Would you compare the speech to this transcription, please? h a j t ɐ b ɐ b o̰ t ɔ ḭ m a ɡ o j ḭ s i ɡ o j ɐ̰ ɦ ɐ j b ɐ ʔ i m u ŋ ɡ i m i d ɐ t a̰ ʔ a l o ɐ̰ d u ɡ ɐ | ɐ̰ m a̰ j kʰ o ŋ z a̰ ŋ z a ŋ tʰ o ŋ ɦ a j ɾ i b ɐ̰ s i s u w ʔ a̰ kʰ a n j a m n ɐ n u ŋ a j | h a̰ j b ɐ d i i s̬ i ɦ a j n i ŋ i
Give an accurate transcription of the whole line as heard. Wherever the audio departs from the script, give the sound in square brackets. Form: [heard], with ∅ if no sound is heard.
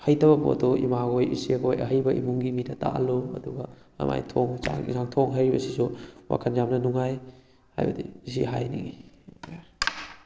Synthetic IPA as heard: h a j t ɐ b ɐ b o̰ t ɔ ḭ m a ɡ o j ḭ s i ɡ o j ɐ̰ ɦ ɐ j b ɐ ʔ i m u ŋ ɡ i m i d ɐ t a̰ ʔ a l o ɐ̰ d u ɡ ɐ | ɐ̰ m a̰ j [tʰ] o ŋ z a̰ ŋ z a ŋ tʰ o ŋ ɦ a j ɾ i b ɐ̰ s i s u w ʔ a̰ kʰ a n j a m n ɐ n u ŋ a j | h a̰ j b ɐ d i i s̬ i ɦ a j n i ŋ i